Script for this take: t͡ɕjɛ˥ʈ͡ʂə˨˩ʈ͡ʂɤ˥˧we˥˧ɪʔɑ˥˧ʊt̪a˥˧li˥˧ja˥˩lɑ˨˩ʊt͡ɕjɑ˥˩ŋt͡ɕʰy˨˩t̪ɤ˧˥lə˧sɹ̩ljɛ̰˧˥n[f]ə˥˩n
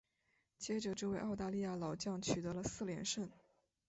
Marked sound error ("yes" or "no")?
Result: yes